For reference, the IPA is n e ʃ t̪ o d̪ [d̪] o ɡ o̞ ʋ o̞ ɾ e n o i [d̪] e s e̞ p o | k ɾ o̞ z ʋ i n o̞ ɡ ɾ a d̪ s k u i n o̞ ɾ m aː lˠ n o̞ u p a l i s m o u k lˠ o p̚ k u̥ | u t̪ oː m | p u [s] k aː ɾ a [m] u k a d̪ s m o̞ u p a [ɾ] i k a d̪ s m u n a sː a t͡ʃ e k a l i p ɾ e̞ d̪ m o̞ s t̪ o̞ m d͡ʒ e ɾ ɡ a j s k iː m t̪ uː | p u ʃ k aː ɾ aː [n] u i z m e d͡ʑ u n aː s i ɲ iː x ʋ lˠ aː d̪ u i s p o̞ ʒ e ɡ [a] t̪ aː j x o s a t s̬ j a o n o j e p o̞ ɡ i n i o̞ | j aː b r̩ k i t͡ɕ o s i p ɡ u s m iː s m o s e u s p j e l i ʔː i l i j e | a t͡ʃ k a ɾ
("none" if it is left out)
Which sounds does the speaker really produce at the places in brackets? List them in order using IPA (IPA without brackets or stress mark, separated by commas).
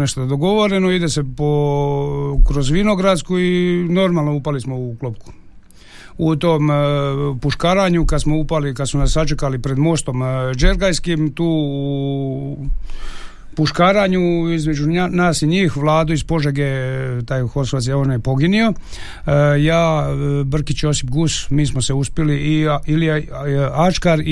d̪, d̪, ʃ, ɲ, l, ɲ, e